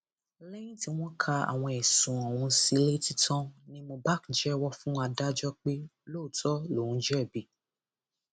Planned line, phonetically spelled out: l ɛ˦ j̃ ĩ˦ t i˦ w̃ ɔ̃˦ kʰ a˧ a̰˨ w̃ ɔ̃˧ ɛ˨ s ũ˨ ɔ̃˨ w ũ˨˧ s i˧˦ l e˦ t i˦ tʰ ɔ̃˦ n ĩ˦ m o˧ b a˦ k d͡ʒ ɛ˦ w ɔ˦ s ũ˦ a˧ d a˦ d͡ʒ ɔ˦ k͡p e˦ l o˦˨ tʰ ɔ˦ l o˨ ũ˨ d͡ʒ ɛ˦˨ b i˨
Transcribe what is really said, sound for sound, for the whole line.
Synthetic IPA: l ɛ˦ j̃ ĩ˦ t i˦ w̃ ɔ̃˦ kʰ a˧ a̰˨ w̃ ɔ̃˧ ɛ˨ s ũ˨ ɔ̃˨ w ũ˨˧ s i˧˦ l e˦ t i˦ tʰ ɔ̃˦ n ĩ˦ m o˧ b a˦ k d͡ʒ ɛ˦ w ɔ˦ f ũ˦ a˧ d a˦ d͡ʒ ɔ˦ k͡p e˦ l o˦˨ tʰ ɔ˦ l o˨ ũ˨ d͡ʒ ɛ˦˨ b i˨